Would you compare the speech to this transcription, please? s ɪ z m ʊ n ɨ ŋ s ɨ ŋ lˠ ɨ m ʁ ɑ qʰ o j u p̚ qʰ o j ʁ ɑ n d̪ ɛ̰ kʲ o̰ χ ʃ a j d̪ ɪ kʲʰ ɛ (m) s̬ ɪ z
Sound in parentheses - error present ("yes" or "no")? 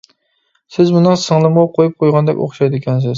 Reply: yes